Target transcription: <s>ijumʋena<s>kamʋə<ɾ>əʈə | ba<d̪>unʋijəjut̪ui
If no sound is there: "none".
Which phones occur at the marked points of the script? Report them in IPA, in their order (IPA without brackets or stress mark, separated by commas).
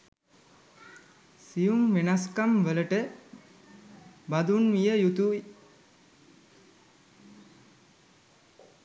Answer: s, s, l, d̪